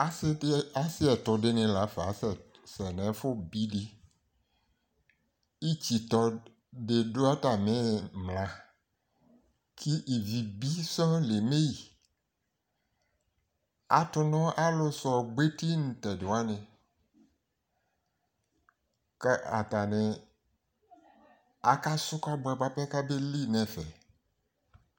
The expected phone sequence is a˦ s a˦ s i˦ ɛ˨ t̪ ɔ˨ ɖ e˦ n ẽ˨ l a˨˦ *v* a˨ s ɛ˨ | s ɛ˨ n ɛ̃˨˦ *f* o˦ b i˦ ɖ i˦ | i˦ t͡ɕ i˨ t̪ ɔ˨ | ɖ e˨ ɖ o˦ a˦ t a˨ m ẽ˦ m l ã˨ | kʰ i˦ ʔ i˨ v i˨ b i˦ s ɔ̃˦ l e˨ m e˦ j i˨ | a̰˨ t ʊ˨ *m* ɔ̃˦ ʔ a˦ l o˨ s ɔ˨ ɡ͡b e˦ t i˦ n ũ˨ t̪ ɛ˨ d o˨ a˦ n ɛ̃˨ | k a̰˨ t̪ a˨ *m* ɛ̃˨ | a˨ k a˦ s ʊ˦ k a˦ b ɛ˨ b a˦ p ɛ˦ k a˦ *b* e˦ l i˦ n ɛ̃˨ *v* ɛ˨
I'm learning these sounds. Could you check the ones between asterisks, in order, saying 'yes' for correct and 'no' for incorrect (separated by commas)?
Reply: no, yes, no, no, yes, no